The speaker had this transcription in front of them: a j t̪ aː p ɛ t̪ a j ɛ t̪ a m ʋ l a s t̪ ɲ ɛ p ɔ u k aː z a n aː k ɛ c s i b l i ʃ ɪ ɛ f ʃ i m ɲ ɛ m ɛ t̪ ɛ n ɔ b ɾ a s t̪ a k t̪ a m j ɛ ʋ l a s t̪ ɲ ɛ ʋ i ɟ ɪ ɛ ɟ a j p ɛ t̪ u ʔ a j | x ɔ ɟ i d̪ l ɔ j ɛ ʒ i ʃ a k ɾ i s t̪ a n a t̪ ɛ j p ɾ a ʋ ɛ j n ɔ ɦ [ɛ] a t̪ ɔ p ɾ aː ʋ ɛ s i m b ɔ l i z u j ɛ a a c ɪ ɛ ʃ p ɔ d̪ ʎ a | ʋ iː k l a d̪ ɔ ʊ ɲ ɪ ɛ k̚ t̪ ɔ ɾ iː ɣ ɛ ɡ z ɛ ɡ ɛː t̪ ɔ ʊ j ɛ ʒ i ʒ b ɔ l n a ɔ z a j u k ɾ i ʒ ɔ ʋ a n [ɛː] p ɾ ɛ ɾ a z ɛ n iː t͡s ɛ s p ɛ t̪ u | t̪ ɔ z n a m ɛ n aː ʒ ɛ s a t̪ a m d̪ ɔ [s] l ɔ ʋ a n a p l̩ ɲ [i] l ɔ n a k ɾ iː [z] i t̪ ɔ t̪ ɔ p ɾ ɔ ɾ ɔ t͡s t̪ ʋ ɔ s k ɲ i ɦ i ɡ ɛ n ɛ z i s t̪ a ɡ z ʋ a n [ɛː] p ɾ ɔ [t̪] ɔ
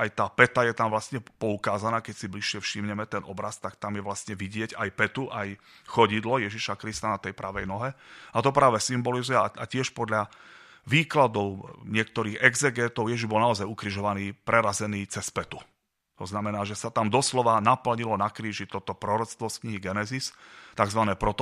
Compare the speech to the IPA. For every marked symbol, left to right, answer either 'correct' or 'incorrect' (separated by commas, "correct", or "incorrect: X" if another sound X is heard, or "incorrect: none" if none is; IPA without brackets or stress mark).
correct, incorrect: iː, correct, correct, incorrect: ʒ, correct, correct